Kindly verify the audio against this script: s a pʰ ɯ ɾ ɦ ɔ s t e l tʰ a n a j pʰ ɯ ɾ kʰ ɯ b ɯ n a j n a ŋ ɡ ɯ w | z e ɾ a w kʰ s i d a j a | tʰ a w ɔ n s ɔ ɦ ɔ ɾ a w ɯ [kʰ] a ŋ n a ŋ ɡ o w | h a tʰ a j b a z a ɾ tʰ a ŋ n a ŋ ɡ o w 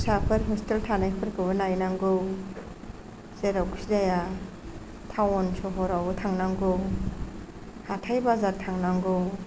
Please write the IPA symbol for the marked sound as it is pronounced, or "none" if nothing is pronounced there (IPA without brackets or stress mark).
tʰ